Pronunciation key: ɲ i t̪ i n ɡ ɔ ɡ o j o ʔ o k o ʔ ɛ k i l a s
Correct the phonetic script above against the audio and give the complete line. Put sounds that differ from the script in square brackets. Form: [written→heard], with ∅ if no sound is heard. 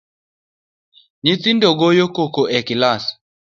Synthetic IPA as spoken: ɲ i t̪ i n [ɡ→d] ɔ ɡ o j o [ʔ→k] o k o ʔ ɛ k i l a s